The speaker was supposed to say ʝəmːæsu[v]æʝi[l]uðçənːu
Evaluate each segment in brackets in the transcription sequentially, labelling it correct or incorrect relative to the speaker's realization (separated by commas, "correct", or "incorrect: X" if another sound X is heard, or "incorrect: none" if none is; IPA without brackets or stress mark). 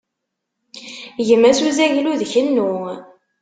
incorrect: z, correct